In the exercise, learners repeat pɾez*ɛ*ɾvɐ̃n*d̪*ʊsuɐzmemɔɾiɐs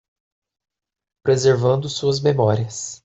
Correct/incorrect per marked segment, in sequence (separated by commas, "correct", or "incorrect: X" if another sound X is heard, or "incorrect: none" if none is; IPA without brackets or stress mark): incorrect: e, correct